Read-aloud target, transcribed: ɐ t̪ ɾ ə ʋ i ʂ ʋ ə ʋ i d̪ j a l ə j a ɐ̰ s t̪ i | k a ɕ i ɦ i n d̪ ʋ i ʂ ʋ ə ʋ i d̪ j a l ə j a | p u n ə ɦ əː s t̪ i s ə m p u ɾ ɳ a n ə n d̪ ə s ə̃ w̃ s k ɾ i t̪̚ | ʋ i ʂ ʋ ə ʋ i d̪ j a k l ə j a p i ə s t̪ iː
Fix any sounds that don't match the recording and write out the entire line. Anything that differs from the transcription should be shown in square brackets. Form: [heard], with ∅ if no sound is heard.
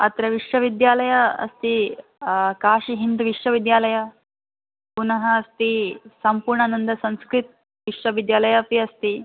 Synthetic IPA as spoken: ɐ t̪ ɾ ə ʋ i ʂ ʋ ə ʋ i d̪ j a l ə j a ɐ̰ s t̪ i | k a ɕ i ɦ i n d̪ ʋ i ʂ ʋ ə ʋ i d̪ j a l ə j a | p u n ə ɦ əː s t̪ i s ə m p u ɾ ɳ a n ə n d̪ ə s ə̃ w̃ s k ɾ i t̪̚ | ʋ i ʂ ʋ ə ʋ i d̪ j a [∅] l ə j a p i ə s t̪ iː